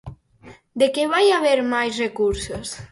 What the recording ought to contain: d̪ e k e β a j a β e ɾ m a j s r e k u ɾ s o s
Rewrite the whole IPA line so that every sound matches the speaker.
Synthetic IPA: d̪ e k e β a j a β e ɾ m a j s r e k u ɾ s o s

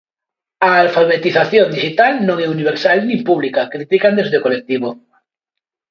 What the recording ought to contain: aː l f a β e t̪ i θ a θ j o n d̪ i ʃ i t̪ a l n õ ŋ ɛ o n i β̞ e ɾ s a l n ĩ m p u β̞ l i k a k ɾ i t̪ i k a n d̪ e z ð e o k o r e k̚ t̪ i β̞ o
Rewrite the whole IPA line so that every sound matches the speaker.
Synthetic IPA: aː l f a β e t̪ i θ a θ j o n d̪ i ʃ i t̪ a l n õ ŋ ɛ u n i β̞ e ɾ s a l n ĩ m p u β̞ l i k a k ɾ i t̪ i k a n d̪ e z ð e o k o l e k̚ t̪ i β̞ o

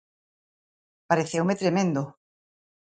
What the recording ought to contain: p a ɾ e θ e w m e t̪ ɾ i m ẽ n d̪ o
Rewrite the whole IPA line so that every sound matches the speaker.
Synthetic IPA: p a ɾ e θ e w m e t̪ ɾ e m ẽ n d̪ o

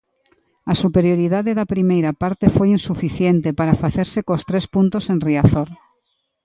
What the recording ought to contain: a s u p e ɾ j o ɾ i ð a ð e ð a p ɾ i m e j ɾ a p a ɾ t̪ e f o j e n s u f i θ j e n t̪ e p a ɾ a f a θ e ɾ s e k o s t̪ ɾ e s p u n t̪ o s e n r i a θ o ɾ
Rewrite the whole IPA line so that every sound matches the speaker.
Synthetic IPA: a s u p e ɾ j o ɾ i ð a ð e ð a p ɾ i m e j ɾ a p a ɾ t̪ e f o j i n s u f i θ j e n t̪ e p a ɾ a f a θ e ɾ s e k o s t̪ ɾ e s p u n t̪ o s e n r i a θ o ɾ

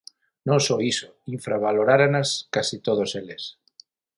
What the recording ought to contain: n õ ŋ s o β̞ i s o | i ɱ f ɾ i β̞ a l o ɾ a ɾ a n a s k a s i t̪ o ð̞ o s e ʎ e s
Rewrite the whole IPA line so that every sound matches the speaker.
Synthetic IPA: n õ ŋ s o i s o | i ɱ f ɾ a β̞ a l o ɾ a ɾ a n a s k a s i t̪ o ð̞ o s e l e s

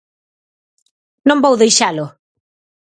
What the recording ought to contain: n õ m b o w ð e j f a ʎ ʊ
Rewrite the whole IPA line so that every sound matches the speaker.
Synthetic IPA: n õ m b o w ð e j ʃ a l ʊ

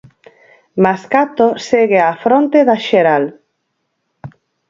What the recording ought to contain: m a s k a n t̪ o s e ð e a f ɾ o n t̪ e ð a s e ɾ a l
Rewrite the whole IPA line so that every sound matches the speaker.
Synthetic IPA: m a s k a t̪ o s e ɣ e a f ɾ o n t̪ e ð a ʃ e ɾ a l

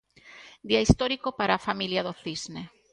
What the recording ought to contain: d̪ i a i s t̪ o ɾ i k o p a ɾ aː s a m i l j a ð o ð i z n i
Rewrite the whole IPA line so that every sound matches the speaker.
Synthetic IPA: d̪ i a i s t̪ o ɾ i k o p a ɾ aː f a m i l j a ð o θ i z n e

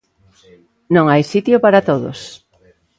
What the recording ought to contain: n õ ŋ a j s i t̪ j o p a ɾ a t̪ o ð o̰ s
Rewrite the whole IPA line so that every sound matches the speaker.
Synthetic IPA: n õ ŋ a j s i t̪ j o p a ɾ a t̪ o ð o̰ s

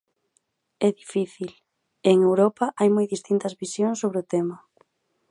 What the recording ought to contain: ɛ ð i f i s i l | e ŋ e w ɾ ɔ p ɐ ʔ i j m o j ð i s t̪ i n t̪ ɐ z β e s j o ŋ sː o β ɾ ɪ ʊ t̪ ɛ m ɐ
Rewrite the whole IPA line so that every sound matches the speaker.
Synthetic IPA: ɛ ð i f i θ i l | e ŋ e w ɾ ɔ p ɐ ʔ a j m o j ð i s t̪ i n t̪ ɐ z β i s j o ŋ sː o β ɾ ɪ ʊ t̪ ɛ m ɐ

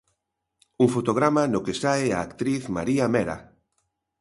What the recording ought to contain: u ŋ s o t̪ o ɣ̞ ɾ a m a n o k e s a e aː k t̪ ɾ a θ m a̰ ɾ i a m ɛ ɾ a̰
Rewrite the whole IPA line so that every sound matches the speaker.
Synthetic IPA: u ŋ f o t̪ o ɣ̞ ɾ a m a n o k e s a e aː k t̪ ɾ i θ m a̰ ɾ i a m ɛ ɾ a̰

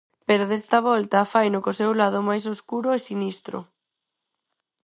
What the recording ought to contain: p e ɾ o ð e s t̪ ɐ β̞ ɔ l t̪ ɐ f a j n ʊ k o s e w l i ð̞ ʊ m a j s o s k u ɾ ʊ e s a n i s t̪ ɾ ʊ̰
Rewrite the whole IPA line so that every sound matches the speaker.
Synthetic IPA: p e ɾ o ð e s t̪ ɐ β̞ ɔ l t̪ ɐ f a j n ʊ k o s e w l a ð̞ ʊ m a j s o s k u ɾ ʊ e s i n i s t̪ ɾ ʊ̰

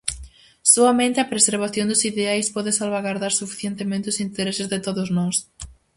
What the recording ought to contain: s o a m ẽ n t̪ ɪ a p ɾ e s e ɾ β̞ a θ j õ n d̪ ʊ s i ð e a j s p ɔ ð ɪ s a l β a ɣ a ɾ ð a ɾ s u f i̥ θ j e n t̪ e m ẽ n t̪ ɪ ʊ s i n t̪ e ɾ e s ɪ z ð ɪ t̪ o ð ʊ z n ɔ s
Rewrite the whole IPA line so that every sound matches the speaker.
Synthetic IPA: s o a m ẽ n t̪ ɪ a p ɾ e s e ɾ β̞ a θ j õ n d̪ ʊ s i ð e a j s p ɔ ð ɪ s a l β a ɣ a ɾ ð a ɾ s u f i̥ θ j e n t̪ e m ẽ n t̪ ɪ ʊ s i n t̪ e ɾ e s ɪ z ð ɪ t̪ o ð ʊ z n ɔ s

